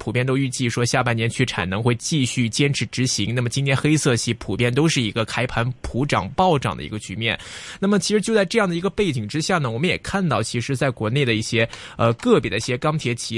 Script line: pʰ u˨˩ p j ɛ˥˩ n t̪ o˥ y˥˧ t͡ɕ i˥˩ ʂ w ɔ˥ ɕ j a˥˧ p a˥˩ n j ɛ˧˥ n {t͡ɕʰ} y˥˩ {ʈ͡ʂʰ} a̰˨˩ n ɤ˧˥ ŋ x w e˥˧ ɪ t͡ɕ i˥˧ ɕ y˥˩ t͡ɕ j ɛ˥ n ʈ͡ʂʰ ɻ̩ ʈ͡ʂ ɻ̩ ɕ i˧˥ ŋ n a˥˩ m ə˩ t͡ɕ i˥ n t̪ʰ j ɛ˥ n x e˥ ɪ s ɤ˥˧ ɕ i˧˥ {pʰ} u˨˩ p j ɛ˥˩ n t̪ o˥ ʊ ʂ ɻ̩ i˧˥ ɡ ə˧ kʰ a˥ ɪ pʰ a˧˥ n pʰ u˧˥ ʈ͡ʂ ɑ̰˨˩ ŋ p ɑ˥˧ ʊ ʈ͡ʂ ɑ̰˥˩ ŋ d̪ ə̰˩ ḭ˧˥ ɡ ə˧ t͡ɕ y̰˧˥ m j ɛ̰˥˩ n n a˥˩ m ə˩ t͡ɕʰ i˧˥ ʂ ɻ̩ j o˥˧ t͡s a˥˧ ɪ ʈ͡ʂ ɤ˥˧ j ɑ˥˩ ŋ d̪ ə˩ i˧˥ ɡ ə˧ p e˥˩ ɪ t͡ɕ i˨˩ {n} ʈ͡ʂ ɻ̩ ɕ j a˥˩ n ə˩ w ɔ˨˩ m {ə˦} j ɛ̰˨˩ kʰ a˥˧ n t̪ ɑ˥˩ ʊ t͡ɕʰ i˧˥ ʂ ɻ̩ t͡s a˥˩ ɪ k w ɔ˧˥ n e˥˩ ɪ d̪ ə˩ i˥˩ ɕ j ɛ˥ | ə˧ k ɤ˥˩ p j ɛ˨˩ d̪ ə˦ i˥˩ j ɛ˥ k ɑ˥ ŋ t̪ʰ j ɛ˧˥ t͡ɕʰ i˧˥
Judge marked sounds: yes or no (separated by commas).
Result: yes, yes, yes, no, yes